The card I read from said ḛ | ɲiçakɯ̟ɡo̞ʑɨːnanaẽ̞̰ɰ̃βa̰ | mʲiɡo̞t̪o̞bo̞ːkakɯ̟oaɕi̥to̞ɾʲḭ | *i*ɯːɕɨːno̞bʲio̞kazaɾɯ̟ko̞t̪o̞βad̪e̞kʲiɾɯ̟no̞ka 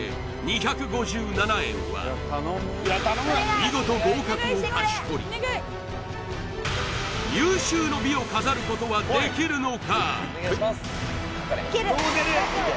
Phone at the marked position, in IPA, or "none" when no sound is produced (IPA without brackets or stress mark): j